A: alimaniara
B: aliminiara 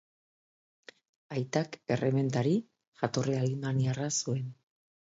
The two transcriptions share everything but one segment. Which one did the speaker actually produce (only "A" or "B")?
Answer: A